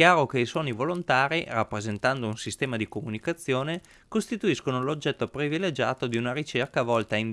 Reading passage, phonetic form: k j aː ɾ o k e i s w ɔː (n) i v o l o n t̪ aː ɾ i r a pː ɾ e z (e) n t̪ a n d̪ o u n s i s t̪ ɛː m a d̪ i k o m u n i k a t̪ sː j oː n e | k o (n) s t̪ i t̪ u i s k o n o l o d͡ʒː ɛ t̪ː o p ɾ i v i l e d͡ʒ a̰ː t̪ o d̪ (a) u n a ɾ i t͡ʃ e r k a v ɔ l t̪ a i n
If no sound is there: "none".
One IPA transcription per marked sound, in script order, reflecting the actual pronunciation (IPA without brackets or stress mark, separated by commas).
n, e, none, i